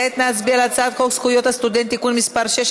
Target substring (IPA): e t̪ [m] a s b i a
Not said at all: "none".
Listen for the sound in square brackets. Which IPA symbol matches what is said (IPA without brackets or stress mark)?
n